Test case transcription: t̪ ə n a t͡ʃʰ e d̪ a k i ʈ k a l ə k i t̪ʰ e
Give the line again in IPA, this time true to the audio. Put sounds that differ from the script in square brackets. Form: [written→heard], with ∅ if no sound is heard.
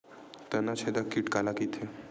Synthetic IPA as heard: t̪ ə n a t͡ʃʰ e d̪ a k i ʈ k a l [ə→a] k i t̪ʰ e